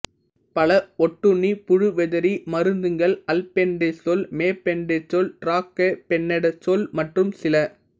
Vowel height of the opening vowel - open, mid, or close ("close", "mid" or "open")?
open